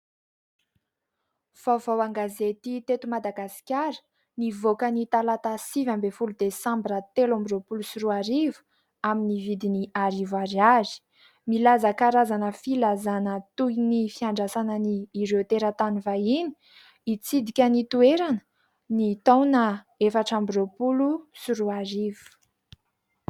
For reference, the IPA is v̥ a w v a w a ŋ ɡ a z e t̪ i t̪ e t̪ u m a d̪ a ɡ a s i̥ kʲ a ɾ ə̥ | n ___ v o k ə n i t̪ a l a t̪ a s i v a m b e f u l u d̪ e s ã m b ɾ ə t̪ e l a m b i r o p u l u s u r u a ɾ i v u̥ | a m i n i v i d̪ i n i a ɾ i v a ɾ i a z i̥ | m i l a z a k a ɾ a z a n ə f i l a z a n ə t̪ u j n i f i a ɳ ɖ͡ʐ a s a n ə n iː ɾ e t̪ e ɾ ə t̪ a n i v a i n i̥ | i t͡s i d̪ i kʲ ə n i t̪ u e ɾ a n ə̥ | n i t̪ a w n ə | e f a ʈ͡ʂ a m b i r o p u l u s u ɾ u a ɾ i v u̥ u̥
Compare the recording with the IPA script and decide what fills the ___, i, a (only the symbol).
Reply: i